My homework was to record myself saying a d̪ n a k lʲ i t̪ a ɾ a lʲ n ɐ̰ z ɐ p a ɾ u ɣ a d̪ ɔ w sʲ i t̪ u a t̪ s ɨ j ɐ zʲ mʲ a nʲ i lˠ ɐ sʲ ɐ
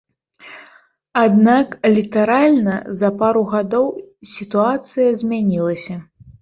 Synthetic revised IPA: a d̪ n a k lʲ i t̪ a ɾ a lʲ n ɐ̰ z ɐ p a ɾ u ɣ a d̪ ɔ w sʲ i t̪ u a t̪ s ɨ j ɐ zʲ mʲ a nʲ i lˠ ɐ sʲ ɐ